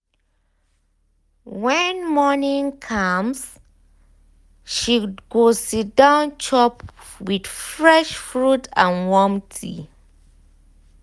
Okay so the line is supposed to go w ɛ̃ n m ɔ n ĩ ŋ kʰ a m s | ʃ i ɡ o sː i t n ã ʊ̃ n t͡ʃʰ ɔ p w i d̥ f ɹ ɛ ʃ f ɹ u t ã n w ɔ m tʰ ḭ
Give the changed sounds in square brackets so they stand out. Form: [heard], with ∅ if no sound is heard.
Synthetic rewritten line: w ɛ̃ n m ɔ n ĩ ŋ kʰ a m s | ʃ i ɡ o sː i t [d] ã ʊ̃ n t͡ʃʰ ɔ p w i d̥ f ɹ ɛ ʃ f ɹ u t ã n w ɔ m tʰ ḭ